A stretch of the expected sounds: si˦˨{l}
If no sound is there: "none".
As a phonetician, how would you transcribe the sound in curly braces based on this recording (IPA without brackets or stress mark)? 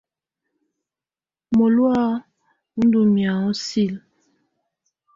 l